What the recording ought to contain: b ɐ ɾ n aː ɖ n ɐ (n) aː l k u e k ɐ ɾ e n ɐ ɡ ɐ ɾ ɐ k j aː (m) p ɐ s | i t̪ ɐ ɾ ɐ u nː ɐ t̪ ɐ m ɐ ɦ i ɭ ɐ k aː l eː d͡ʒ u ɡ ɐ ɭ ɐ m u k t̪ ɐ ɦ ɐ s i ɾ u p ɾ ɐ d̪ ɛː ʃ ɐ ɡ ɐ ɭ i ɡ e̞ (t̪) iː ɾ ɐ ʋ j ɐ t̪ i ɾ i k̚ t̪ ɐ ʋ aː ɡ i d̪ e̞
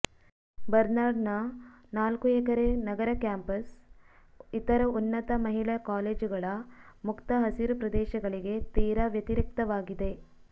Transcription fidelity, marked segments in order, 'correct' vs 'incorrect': correct, correct, correct

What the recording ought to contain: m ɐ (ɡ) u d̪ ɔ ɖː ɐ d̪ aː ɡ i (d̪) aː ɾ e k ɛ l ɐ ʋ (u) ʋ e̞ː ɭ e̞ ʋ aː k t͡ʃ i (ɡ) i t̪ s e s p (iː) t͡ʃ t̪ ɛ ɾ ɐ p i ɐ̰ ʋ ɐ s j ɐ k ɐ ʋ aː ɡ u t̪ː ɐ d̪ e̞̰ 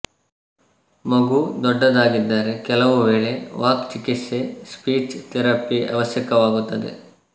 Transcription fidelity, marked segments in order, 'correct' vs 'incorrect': correct, incorrect: d̪ː, correct, incorrect: k, correct

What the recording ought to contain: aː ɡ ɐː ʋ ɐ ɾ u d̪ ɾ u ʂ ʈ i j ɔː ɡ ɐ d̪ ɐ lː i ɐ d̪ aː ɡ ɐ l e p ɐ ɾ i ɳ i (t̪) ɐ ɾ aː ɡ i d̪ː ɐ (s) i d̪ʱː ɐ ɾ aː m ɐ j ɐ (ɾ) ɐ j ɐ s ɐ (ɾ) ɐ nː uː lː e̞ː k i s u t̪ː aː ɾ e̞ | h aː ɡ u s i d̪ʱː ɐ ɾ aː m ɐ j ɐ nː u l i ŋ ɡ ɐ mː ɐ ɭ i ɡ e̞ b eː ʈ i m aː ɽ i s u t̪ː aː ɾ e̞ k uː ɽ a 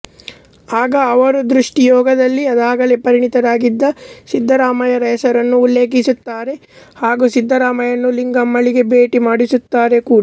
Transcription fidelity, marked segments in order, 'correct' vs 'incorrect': correct, correct, correct, correct

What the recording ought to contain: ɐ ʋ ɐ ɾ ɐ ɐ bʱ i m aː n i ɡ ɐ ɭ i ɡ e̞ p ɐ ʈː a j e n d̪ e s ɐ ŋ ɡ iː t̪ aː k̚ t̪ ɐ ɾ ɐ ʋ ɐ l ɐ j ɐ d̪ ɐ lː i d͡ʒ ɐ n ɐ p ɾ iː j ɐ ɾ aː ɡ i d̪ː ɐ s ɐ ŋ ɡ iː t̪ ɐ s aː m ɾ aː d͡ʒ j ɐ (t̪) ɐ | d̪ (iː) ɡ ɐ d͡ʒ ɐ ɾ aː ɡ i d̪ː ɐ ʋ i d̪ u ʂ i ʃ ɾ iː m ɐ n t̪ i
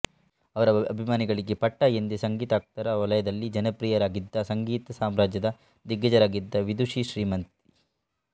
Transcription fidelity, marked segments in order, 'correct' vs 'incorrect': incorrect: d̪, incorrect: i

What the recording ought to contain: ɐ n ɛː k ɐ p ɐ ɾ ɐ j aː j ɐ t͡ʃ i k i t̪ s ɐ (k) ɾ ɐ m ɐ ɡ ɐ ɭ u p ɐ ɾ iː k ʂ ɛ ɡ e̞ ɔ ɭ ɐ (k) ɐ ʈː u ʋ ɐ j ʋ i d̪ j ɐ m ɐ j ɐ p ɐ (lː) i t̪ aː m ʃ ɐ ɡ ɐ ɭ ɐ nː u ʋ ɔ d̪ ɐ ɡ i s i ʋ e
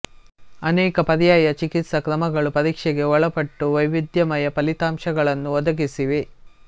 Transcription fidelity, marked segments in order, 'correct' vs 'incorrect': correct, incorrect: p, incorrect: l

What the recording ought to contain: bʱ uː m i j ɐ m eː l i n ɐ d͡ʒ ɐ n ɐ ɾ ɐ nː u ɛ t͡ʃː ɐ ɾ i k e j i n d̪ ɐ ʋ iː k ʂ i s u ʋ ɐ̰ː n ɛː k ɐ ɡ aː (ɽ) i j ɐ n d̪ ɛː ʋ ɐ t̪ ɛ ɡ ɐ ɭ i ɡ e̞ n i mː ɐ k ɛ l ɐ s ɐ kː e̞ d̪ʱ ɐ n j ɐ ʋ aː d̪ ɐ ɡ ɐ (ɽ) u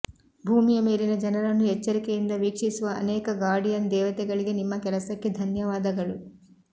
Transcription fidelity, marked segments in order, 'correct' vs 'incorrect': correct, incorrect: ɭ

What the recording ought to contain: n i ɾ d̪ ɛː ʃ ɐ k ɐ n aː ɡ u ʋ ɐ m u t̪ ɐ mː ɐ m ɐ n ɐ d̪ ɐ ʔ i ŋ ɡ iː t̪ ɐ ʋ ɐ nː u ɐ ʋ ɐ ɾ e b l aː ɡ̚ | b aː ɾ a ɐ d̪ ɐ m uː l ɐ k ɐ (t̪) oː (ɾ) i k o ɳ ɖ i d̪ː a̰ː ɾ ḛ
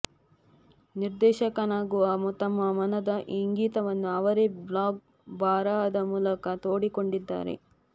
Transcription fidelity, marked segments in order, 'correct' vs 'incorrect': correct, incorrect: ɽ

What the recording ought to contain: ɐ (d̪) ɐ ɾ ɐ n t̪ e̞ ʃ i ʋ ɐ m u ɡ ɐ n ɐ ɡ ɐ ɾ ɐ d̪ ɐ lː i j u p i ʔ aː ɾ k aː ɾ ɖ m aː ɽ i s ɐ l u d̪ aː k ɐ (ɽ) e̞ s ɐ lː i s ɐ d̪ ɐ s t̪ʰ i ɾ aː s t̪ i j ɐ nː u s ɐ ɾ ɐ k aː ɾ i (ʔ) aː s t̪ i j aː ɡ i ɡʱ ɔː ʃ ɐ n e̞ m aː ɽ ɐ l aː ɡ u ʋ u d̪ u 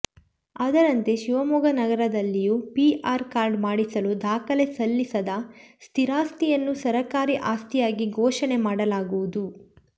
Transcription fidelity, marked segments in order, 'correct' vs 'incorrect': correct, incorrect: l, correct

